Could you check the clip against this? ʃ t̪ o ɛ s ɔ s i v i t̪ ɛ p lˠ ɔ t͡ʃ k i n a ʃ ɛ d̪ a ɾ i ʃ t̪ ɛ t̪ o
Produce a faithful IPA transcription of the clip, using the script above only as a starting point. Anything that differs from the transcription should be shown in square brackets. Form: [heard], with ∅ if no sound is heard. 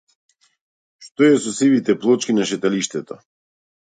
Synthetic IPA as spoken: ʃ t̪ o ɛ s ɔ s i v i t̪ ɛ p lˠ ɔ t͡ʃ k i n a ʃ ɛ [t̪] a [l] i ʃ t̪ ɛ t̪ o

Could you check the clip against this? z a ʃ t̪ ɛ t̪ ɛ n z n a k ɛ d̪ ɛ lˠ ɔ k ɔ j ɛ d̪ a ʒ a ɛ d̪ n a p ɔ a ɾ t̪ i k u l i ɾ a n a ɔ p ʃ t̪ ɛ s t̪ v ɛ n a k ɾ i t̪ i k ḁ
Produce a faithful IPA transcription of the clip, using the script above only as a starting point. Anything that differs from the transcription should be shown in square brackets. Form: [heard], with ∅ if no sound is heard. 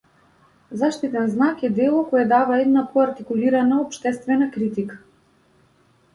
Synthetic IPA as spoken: z a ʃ t̪ [i] t̪ ɛ n z n a k ɛ d̪ ɛ lˠ ɔ k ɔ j ɛ d̪ a [v] a ɛ d̪ n a p ɔ a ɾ t̪ i k u l i ɾ a n a ɔ p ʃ t̪ ɛ s t̪ v ɛ n a k ɾ i t̪ i k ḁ

